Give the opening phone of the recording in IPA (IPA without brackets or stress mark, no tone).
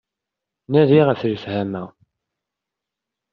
n